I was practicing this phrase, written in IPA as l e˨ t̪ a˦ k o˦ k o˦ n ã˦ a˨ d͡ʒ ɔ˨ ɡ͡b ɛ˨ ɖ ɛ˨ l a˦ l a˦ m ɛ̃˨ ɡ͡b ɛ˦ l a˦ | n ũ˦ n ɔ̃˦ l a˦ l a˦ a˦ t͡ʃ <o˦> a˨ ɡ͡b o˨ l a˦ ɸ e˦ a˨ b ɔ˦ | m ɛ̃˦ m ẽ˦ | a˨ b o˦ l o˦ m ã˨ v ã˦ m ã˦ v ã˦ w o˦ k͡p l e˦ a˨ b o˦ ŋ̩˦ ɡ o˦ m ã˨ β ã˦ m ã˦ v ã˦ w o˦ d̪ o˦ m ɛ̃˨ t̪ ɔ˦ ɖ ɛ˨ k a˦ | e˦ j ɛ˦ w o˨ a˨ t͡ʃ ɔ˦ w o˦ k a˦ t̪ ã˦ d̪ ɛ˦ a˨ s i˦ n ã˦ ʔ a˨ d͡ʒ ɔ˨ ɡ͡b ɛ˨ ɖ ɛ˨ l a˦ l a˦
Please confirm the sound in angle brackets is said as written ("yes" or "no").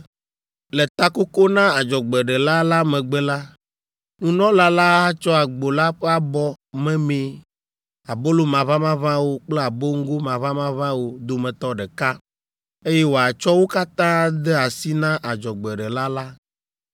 no